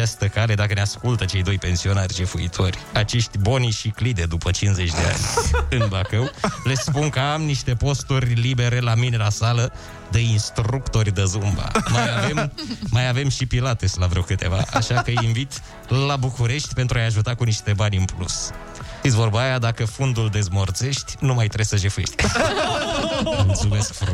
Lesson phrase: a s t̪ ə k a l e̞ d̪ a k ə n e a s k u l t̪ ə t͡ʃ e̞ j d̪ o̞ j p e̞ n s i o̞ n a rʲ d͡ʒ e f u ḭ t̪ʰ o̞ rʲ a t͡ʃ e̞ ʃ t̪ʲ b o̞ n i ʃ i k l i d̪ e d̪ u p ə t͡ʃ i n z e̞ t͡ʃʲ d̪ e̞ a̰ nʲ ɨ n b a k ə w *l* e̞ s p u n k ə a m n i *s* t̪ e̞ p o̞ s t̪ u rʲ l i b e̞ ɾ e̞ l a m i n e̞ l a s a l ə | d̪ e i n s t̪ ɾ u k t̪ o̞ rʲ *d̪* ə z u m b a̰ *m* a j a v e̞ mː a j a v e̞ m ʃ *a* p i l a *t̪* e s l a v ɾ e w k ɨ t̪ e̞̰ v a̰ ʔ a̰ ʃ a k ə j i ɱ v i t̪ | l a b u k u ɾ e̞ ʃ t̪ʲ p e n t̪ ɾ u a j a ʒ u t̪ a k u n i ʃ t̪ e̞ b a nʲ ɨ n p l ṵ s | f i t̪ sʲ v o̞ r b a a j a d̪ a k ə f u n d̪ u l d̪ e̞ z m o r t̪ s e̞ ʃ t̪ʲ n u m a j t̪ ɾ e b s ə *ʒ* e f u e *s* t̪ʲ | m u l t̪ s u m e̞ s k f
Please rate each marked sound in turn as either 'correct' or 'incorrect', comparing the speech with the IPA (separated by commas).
correct, incorrect, correct, correct, incorrect, correct, correct, incorrect